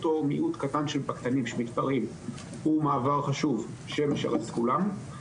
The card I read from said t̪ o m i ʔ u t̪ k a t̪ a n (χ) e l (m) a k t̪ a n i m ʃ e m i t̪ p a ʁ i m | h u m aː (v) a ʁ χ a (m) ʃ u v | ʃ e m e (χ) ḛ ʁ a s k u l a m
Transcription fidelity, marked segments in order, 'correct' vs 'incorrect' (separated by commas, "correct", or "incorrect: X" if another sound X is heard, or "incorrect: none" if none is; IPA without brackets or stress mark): incorrect: ʃ, incorrect: b, correct, incorrect: none, incorrect: ʃ